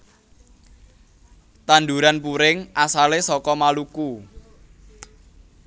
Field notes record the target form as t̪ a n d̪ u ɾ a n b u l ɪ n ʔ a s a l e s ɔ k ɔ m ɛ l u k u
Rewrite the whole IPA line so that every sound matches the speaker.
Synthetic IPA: t̪ a n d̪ u ɾ a n p u ɾ ɪ ŋ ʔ a s a l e s ɔ k ɔ m a l u k u